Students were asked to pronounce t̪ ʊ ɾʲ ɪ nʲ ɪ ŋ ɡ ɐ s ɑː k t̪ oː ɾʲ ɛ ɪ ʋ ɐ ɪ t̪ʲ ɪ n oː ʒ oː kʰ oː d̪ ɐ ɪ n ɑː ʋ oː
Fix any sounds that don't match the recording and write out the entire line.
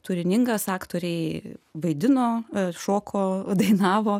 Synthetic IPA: t̪ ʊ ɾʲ ɪ nʲ ɪ ŋ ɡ ɐ s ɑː k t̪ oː ɾʲ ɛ ɪ ʋ ɐ ɪ d̪ʲ ɪ n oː ʃ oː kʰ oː d̪ ɐ ɪ n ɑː ʋ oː

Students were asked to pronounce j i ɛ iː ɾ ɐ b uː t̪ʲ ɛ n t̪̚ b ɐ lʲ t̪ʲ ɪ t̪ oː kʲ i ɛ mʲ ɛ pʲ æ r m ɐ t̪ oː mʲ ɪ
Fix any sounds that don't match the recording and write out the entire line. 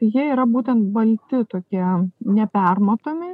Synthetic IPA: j i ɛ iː ɾ ɐ b uː t̪ʲ ɛ n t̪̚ b ɐ lʲ t̪ʲ ɪ t̪ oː kʲ i ɛ nʲ ɛ pʲ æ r m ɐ t̪ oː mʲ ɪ

